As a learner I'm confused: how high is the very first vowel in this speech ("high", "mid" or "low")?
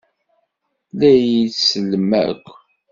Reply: low